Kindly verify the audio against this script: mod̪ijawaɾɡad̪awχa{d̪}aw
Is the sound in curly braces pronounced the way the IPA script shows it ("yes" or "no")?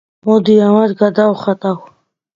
no